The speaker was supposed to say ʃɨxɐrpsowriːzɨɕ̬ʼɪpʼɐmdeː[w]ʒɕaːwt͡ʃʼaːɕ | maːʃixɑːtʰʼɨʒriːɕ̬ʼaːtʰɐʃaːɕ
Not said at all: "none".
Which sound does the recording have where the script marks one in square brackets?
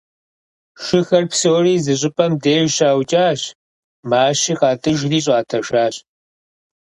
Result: none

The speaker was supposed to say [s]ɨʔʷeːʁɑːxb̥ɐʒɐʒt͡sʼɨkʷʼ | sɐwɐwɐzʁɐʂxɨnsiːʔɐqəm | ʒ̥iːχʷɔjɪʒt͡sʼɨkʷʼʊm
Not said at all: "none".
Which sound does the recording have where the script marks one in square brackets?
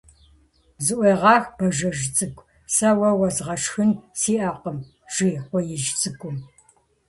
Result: z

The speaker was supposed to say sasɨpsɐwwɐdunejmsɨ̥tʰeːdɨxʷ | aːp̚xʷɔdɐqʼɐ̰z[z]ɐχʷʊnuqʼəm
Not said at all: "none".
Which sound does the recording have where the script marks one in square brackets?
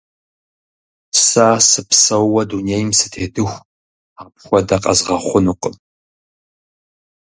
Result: ʁ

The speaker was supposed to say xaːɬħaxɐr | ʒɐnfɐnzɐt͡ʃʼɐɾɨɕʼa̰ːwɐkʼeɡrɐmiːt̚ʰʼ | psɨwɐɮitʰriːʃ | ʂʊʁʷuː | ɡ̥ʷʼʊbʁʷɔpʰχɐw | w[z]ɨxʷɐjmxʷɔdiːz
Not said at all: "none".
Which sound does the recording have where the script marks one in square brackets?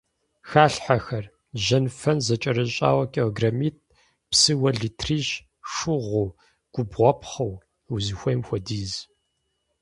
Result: z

